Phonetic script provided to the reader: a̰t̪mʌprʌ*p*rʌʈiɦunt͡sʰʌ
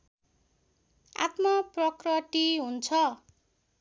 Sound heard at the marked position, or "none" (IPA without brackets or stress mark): k